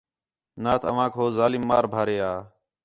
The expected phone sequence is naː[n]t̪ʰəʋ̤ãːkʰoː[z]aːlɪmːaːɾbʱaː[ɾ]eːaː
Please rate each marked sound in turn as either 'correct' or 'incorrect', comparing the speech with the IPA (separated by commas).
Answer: incorrect, correct, correct